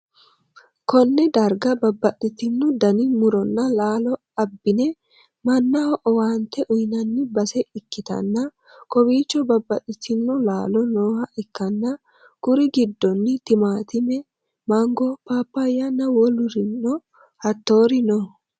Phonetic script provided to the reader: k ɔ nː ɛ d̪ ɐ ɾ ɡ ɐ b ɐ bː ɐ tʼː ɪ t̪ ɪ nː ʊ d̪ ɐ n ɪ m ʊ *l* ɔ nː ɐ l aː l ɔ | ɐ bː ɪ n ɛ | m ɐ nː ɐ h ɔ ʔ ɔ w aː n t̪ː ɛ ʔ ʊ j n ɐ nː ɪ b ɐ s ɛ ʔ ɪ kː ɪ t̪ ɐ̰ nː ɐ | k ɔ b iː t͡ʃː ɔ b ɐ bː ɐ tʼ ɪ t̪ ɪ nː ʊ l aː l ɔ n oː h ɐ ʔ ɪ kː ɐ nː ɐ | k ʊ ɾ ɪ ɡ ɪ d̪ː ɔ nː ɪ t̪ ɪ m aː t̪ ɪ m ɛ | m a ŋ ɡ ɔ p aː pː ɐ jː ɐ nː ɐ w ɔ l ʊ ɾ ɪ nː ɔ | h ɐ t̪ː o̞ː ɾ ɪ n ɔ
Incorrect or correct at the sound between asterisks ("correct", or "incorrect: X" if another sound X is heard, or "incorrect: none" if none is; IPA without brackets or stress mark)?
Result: incorrect: ɾ